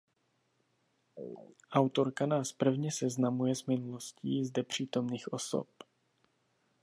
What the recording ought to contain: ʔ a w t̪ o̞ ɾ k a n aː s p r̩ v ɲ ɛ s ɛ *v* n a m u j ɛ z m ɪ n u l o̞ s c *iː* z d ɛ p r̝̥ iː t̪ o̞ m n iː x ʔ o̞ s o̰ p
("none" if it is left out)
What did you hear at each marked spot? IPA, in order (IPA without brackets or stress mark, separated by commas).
z, iː